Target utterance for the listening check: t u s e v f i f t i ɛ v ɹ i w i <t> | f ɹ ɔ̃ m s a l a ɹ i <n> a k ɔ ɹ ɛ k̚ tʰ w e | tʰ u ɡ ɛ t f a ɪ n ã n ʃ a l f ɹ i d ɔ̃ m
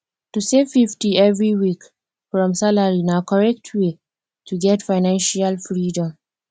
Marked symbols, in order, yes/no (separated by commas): no, yes